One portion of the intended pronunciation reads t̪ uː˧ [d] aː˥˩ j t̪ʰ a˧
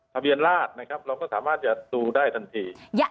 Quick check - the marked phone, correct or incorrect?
correct